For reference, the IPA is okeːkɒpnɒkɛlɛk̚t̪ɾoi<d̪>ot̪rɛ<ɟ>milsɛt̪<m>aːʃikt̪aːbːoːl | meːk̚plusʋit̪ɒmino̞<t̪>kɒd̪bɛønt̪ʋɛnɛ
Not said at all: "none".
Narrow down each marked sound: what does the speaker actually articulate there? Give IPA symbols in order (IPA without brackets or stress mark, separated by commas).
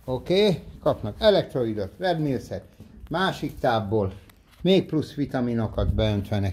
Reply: d̪, b, m, none